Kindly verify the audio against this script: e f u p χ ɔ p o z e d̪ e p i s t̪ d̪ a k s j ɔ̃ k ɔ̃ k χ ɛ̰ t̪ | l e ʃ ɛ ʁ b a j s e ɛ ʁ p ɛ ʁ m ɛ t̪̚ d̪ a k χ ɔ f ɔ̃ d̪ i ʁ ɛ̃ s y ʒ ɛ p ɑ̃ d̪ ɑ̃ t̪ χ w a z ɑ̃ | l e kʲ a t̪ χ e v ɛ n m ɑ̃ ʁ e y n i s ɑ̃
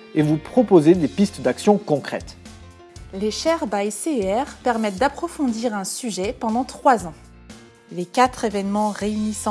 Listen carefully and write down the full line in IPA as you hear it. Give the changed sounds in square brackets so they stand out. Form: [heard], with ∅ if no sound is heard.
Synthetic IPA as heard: e [v] u p χ ɔ p o z e d̪ e p i s t̪ d̪ a k s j ɔ̃ k ɔ̃ k χ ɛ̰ t̪ | l e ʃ ɛ ʁ b a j s e ɛ ʁ p ɛ ʁ m ɛ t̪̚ d̪ a [p] χ ɔ f ɔ̃ d̪ i ʁ ɛ̃ s y ʒ ɛ p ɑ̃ d̪ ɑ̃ t̪ χ w a z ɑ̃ | l e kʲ a t̪ χ e v ɛ n m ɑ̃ ʁ e y n i s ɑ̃